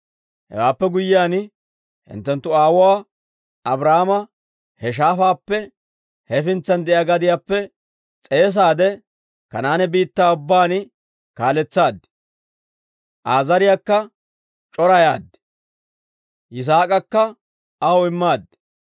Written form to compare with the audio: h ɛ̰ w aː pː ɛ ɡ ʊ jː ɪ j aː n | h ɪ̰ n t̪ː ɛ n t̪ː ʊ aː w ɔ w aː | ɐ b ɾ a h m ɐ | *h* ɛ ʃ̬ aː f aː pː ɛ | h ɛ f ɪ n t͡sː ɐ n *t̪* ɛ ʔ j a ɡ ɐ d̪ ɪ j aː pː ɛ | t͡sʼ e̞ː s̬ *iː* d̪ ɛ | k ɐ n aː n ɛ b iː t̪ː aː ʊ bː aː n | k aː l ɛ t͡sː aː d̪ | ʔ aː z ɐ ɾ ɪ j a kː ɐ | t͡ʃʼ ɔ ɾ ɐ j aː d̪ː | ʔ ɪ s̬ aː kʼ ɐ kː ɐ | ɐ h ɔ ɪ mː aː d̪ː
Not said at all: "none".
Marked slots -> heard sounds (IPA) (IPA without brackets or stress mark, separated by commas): h, d̪, aː